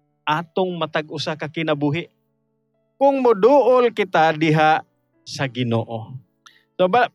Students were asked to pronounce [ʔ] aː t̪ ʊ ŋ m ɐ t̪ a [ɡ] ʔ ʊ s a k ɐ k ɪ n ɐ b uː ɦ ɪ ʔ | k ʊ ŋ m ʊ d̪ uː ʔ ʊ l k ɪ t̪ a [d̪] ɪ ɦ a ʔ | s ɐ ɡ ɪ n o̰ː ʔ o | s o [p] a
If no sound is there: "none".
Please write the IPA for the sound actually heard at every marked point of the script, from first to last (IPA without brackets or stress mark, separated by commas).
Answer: ʔ, ɡ, d̪, b